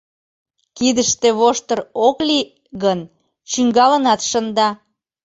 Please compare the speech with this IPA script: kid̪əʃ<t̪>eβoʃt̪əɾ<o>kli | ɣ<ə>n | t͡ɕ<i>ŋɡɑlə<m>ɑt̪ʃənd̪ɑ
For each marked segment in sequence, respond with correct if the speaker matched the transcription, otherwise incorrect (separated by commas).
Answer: correct, correct, correct, incorrect, incorrect